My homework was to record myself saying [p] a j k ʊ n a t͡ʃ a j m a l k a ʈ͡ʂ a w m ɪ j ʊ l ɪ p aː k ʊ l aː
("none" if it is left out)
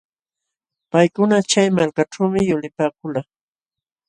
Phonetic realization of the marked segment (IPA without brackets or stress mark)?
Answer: p